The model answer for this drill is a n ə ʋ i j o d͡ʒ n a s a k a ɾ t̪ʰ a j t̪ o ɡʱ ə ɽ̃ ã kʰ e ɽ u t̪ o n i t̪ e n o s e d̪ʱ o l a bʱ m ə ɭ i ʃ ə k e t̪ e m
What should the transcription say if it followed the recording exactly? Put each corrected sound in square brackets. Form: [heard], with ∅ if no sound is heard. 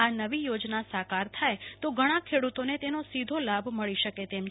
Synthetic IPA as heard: a n ə ʋ i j o d͡ʒ n a s a k a ɾ t̪ʰ a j t̪ o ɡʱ ə ɽ̃ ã kʰ e ɽ u t̪ o n [e] t̪ e n o s [i] d̪ʱ o l a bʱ m ə ɭ i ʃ ə k e t̪ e m